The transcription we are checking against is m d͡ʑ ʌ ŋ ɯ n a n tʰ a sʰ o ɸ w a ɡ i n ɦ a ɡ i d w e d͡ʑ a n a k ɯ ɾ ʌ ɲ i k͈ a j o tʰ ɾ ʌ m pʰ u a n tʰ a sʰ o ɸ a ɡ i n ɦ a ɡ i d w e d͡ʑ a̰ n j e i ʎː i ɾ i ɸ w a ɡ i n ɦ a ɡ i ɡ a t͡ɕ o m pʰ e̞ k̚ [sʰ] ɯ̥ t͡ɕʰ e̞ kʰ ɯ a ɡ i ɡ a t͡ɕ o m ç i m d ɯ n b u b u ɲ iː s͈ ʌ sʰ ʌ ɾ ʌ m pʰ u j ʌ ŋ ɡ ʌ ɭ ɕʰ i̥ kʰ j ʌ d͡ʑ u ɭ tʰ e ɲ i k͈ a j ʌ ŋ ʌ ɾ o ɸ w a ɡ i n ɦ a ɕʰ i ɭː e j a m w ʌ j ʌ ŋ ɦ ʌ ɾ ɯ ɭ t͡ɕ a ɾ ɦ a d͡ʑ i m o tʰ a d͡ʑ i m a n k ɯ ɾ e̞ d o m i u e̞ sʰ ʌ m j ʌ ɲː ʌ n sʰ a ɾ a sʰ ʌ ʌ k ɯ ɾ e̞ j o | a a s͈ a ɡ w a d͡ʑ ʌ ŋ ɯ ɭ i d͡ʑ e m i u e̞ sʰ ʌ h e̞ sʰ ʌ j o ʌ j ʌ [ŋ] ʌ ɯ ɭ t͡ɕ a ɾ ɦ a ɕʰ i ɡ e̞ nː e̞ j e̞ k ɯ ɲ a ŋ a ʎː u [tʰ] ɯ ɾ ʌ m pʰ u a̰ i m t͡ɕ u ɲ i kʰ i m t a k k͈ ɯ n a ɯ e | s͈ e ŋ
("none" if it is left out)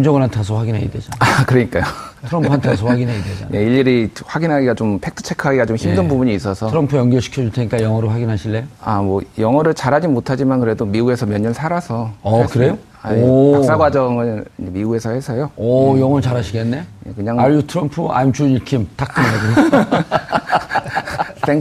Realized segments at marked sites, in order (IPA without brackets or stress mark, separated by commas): tʰ, ŋ, tʰ